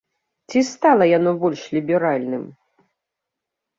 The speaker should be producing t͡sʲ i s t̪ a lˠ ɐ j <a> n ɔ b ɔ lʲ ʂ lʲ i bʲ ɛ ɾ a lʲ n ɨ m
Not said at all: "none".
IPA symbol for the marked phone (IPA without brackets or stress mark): a